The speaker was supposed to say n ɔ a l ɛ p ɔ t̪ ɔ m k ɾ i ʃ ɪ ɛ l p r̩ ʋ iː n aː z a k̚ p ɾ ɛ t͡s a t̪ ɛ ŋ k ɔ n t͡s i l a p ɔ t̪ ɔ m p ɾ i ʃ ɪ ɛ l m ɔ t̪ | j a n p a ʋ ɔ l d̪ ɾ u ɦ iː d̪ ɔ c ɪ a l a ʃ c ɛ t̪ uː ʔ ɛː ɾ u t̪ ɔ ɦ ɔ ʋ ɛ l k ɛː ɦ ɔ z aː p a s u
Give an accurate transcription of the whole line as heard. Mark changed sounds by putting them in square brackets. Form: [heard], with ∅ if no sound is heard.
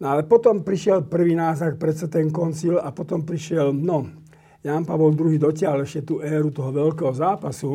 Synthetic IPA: n ɔ a l ɛ p ɔ t̪ ɔ m [p] ɾ i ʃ ɪ ɛ l p r̩ ʋ iː n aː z a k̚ p ɾ ɛ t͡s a t̪ ɛ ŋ k ɔ n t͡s i l a p ɔ t̪ ɔ m p ɾ i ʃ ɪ ɛ l [n] ɔ [∅] | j a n p a ʋ ɔ l d̪ ɾ u ɦ iː d̪ ɔ c ɪ a l [ɛ] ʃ c ɛ t̪ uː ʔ ɛː ɾ u t̪ ɔ ɦ ɔ ʋ ɛ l k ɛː ɦ ɔ z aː p a s u